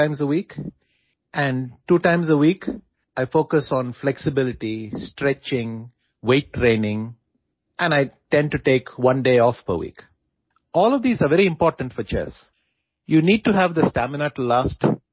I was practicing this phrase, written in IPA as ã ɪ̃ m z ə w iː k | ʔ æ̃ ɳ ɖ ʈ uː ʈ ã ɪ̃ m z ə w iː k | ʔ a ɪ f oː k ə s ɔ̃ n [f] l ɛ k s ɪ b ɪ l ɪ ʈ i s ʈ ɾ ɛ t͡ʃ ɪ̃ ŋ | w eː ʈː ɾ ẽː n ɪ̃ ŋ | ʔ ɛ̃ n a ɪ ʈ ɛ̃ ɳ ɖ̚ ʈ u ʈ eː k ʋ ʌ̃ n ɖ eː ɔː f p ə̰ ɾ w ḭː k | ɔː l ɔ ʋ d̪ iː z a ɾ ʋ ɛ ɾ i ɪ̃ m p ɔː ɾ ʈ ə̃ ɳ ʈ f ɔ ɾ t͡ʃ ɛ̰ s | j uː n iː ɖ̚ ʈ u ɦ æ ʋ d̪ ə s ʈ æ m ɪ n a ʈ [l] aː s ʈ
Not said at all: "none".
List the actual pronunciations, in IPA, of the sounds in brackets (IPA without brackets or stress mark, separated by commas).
f, l